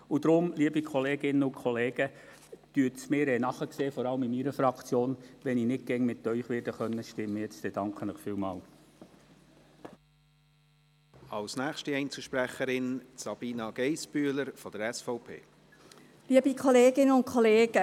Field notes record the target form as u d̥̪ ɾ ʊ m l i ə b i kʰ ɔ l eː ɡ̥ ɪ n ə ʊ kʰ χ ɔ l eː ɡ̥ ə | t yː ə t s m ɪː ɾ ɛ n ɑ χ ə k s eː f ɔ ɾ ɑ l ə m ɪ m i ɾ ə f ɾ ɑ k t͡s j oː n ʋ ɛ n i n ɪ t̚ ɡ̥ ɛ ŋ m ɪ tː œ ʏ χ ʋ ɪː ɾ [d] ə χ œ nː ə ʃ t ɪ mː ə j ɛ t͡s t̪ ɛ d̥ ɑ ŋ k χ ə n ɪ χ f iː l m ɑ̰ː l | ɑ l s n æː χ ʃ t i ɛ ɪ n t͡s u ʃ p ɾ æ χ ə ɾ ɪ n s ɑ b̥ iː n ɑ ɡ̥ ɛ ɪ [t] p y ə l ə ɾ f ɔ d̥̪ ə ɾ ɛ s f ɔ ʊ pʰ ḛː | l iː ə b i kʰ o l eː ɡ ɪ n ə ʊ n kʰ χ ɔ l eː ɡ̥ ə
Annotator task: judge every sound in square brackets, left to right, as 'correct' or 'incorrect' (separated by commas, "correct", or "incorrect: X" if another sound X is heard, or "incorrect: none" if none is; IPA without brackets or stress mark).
correct, incorrect: s